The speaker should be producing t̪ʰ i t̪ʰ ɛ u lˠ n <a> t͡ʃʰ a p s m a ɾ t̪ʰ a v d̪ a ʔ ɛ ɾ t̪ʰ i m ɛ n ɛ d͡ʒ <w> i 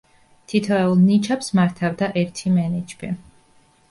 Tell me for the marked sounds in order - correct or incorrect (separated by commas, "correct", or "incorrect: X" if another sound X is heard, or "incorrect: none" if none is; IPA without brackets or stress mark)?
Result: incorrect: i, incorrect: b